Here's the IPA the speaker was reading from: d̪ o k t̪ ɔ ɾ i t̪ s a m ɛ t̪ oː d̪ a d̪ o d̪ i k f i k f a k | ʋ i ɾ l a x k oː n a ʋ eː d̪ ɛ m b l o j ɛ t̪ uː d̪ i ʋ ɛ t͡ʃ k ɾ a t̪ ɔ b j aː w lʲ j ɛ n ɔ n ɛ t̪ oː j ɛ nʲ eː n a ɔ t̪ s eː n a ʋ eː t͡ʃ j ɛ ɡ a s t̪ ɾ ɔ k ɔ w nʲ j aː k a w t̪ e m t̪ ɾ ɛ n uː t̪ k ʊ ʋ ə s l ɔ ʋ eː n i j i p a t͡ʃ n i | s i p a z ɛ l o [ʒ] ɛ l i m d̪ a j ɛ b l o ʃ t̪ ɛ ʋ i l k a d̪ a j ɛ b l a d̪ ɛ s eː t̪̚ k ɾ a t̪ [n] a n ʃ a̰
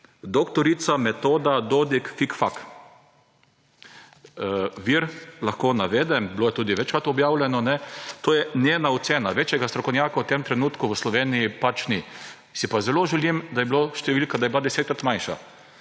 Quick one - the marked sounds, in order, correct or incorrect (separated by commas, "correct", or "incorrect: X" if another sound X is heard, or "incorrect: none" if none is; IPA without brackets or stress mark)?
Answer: correct, incorrect: m